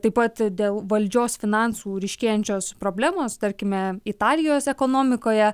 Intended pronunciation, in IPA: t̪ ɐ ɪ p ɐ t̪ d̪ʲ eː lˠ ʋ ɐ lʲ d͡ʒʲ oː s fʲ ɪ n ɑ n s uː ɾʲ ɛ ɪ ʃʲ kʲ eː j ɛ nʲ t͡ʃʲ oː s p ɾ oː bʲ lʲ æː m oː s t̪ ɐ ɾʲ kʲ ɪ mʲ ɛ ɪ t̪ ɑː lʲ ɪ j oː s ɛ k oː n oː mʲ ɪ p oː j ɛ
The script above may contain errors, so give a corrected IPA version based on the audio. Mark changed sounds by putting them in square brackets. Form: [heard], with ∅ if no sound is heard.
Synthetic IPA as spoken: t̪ ɐ ɪ p ɐ t̪ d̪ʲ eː lˠ ʋ ɐ lʲ d͡ʒʲ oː s fʲ ɪ n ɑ n s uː ɾʲ ɛ ɪ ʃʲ kʲ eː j ɛ nʲ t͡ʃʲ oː s p ɾ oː bʲ lʲ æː m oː s t̪ ɐ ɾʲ kʲ ɪ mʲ ɛ ɪ t̪ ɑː lʲ ɪ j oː s ɛ k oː n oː mʲ ɪ [k] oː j ɛ